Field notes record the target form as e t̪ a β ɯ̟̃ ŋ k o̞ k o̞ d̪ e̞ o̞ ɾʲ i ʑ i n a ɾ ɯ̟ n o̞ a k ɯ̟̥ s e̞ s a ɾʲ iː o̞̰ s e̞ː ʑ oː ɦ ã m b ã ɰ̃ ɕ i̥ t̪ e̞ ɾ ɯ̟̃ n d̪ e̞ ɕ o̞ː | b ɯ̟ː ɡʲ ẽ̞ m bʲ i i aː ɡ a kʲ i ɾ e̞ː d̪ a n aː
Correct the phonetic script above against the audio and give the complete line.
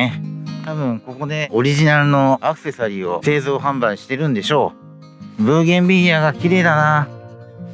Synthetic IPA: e t̪ a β ɯ̟̃ ŋ k o̞ k o̞ d̪ e̞ o̞ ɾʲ i ʑ i n a ɾ ɯ̟ n o̞ a k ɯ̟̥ s e̞ s a ɾʲ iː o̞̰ s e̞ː z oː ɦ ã m b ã ɰ̃ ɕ i̥ t̪ e̞ ɾ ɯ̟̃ n d̪ e̞ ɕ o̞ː | b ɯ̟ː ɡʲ ẽ̞ m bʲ i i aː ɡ a kʲ i ɾ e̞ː d̪ a n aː